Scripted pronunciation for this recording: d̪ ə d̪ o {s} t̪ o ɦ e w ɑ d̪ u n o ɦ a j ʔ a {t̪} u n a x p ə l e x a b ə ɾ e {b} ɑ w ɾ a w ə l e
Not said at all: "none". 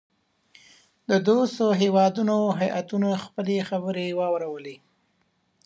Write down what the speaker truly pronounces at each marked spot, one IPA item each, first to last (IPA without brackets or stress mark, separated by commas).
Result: s, t̪, w